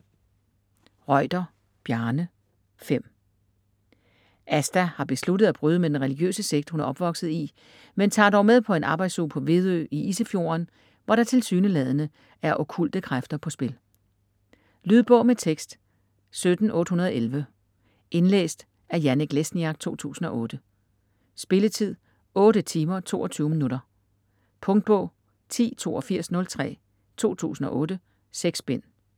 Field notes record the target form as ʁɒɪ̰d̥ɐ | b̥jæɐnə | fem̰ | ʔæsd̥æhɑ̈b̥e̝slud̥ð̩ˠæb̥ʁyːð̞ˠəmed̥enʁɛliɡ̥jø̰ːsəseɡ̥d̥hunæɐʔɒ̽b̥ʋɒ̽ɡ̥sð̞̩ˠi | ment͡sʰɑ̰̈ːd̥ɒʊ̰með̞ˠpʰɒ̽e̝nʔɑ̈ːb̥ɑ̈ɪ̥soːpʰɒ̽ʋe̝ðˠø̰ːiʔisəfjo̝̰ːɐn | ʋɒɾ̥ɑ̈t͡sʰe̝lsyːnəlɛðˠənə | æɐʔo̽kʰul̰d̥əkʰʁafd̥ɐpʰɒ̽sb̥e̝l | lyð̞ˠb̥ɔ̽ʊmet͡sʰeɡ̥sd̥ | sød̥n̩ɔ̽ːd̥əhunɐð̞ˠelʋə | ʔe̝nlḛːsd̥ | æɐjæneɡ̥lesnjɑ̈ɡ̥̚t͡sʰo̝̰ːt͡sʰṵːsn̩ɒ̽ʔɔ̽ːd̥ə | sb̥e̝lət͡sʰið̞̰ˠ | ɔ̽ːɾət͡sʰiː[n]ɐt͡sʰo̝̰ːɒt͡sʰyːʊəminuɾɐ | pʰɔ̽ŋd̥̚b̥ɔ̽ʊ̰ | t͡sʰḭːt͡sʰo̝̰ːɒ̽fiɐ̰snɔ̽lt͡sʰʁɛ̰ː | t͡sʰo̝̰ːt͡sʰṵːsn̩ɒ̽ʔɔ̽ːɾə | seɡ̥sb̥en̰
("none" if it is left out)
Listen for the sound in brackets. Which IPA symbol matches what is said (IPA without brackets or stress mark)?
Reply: m